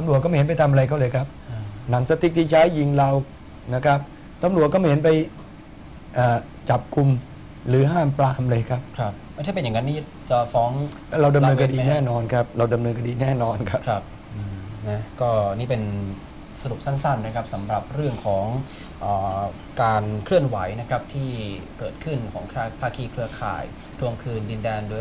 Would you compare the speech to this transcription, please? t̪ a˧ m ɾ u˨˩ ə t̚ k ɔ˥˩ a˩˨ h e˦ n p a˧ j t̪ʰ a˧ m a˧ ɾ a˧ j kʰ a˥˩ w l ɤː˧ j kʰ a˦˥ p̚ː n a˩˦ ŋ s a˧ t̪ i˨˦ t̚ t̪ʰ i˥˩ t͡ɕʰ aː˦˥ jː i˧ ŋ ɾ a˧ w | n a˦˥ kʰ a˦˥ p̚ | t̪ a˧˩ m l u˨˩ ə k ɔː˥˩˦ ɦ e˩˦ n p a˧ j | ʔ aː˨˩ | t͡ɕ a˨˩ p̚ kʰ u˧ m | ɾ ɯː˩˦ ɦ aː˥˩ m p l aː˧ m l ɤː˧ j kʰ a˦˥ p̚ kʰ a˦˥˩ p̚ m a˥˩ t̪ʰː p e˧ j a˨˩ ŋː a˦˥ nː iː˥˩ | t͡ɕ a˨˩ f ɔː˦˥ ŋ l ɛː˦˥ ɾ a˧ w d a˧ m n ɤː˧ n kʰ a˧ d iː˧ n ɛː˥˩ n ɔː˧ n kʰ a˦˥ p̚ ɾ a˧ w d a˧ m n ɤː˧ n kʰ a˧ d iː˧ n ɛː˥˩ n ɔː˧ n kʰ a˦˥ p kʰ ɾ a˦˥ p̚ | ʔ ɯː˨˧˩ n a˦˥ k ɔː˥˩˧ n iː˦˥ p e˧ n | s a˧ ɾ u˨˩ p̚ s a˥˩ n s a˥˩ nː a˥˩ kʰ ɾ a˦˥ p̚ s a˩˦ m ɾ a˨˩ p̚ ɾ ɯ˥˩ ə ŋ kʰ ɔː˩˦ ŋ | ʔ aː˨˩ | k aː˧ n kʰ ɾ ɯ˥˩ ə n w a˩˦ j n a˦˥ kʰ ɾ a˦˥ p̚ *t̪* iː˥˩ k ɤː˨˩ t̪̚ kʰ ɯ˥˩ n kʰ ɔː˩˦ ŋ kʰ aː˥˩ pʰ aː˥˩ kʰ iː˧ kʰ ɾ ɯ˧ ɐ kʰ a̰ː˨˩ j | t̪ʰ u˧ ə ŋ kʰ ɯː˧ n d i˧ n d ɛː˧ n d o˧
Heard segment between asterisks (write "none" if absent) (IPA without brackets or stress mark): t̪ʰ